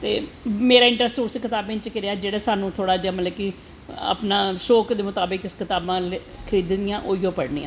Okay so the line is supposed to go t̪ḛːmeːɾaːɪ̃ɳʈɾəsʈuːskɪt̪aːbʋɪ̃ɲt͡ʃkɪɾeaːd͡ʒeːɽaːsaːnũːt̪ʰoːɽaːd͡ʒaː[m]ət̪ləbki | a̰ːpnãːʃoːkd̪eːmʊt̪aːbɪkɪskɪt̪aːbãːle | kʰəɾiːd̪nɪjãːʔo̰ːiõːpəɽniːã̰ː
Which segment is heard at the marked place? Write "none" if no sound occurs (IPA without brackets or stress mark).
m